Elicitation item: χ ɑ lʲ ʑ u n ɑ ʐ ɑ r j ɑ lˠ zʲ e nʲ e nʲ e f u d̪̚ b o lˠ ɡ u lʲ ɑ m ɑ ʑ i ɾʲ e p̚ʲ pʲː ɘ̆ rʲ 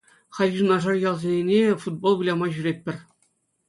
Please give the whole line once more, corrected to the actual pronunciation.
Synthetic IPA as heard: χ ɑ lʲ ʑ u n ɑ ʐ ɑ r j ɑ lˠ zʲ e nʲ e nʲ e f u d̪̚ b o lˠ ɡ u lʲ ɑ m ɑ ʑ y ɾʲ e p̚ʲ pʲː ɘ̆ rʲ